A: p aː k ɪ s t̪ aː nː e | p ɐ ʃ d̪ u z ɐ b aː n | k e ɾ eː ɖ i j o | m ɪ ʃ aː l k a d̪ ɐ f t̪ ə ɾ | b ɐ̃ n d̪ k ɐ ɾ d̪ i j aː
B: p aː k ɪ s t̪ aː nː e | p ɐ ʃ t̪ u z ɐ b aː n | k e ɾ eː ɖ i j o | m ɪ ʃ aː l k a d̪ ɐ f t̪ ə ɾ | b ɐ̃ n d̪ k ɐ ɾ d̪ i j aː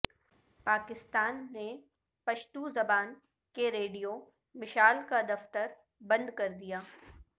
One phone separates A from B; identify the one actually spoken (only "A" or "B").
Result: B